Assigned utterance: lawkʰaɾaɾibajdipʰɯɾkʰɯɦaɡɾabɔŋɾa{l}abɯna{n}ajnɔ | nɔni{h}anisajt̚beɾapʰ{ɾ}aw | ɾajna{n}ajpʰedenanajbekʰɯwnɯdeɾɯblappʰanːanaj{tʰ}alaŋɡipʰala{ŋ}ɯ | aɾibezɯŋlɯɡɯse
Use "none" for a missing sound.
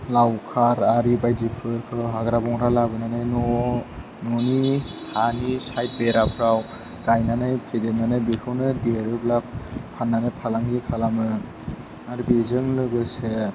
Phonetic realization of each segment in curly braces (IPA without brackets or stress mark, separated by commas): l, n, h, ɾ, n, pʰ, m